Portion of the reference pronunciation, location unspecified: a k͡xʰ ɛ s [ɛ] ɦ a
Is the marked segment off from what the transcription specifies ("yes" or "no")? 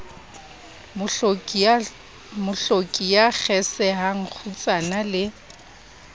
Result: no